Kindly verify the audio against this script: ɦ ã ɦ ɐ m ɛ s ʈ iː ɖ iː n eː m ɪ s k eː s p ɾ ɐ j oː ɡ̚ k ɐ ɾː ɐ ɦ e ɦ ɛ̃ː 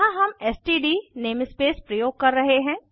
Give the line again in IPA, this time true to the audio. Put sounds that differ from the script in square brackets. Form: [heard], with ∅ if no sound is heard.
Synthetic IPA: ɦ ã ɦ ɐ m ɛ s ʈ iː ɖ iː n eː m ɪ s [p] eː s p ɾ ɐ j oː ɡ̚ k ɐ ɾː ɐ ɦ e ɦ ɛ̃ː